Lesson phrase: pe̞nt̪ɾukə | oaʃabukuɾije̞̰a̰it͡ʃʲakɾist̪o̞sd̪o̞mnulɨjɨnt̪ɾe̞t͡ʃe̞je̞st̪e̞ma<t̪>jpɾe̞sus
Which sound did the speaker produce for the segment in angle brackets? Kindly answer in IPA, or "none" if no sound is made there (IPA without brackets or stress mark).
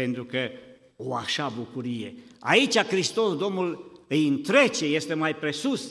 none